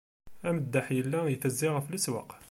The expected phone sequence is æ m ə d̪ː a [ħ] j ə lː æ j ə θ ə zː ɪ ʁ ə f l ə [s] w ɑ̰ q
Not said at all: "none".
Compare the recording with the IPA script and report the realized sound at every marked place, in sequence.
ħ, s

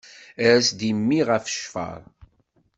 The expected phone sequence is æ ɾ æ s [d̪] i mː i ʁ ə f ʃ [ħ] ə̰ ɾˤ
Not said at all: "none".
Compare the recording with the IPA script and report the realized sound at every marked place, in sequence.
d̪, f

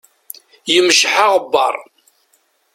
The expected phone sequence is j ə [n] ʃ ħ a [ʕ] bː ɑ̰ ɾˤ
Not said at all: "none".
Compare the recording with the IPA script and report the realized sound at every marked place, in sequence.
m, ʁ

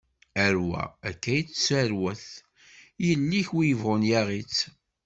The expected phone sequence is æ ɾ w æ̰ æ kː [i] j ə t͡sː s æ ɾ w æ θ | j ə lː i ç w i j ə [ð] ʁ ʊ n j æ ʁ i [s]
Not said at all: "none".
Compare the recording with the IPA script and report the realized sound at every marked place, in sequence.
æ, v, t͡s

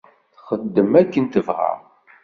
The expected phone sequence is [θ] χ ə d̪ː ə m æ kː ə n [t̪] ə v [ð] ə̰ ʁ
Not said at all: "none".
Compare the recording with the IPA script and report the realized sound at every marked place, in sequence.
θ, t̪, ʁ

